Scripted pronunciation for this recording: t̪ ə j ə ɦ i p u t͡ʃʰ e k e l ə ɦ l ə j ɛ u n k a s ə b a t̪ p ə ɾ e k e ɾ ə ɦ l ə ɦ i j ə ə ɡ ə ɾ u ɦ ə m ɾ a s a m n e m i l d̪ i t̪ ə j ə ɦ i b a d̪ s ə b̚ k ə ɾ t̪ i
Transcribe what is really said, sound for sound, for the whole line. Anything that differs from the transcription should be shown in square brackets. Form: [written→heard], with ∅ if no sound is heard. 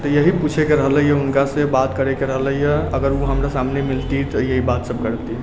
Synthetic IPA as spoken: t̪ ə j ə ɦ i p u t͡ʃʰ e k e [l→ɾ] ə ɦ l ə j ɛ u n k a s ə b a t̪ [p→k] ə ɾ e k e ɾ ə ɦ l ə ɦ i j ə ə ɡ ə ɾ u ɦ ə m ɾ a s a m n e m i l [d̪→t̪] i t̪ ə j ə ɦ i b a [d̪→t̪] s ə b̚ k ə ɾ t̪ i